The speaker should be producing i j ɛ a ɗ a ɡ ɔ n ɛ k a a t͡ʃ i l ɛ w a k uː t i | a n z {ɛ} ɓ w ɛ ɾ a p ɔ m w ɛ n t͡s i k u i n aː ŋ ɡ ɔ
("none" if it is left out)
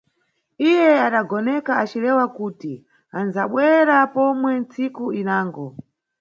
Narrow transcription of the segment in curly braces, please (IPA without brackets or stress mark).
a